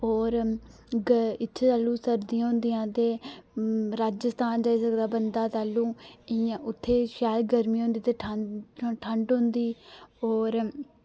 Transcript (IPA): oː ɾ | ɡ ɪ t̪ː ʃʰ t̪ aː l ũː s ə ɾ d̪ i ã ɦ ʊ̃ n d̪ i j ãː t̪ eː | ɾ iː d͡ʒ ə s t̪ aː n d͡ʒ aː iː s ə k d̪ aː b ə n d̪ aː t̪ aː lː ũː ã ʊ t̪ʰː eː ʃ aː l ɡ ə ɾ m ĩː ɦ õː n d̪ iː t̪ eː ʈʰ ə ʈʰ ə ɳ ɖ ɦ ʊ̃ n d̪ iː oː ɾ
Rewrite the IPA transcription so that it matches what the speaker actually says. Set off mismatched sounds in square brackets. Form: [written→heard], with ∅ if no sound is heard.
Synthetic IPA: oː ɾ | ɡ ɪ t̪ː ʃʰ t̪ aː l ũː s ə ɾ d̪ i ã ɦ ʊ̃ n d̪ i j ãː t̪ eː | ɾ [iː→aː] d͡ʒ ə s t̪ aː n d͡ʒ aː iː s ə k d̪ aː b ə n d̪ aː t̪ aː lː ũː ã ʊ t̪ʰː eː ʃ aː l ɡ ə ɾ m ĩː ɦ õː n d̪ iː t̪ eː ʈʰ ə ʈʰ ə ɳ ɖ ɦ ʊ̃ n d̪ iː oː ɾ